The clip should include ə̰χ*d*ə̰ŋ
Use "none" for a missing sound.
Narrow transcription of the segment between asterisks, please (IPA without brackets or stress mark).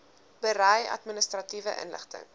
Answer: t